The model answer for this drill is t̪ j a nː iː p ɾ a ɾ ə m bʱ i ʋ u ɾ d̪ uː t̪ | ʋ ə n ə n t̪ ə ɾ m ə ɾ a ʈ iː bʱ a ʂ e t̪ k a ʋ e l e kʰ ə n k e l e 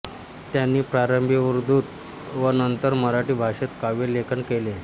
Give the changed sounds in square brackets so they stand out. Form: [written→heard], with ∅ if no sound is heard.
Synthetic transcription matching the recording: t̪ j a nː iː p ɾ a ɾ ə m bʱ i ʋ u ɾ d̪ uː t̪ | ʋ ə n ə n t̪ ə ɾ m ə ɾ a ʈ iː bʱ a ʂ e t̪ k a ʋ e l e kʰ ə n k e l e